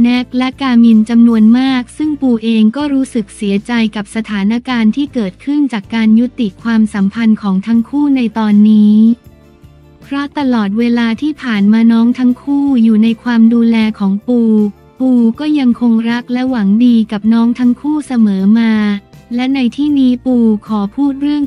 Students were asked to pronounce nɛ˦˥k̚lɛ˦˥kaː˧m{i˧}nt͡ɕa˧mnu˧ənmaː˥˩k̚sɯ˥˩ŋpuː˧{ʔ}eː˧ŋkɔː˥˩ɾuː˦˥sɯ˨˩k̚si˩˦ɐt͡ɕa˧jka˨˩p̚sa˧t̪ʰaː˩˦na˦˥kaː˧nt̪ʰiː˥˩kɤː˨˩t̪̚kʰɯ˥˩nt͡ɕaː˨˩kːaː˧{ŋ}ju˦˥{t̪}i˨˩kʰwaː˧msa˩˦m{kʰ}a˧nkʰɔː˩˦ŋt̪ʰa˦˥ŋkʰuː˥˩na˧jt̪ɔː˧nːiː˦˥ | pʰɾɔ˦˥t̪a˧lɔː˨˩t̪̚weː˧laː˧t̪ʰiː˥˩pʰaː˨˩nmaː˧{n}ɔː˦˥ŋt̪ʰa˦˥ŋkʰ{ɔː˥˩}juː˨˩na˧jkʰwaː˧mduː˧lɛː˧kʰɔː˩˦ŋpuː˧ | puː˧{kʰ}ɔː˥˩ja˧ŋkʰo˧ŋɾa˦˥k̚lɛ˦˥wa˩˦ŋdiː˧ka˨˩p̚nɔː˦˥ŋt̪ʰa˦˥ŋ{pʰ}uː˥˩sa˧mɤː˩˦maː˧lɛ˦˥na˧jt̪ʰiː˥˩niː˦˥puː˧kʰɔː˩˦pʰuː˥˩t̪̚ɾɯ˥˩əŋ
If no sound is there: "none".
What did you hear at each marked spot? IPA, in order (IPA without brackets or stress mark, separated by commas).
i˧, ʔ, n, t̪, pʰ, n, uː˥˩, k, kʰ